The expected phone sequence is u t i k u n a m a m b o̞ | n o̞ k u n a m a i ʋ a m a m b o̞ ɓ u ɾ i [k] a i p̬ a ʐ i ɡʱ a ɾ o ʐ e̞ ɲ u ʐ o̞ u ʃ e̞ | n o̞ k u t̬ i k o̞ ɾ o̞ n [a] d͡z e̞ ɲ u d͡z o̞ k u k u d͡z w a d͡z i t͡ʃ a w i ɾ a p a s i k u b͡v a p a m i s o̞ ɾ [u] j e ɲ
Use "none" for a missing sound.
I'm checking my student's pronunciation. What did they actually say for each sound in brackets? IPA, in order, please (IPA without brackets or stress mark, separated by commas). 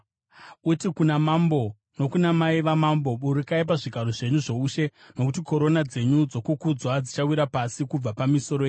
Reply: k, a, o